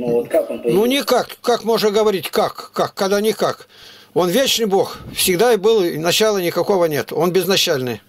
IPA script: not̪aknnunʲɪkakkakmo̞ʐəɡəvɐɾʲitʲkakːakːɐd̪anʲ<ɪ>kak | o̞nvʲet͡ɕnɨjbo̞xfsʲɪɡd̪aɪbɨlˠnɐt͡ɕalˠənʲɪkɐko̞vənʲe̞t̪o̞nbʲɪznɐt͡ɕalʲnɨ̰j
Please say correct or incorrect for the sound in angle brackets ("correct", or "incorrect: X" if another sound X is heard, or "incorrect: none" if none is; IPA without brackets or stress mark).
correct